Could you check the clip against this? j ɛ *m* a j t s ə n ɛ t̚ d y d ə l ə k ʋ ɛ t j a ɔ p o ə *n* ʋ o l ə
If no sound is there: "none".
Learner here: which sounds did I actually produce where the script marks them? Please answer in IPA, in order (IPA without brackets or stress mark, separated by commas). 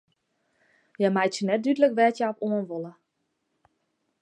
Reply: m, n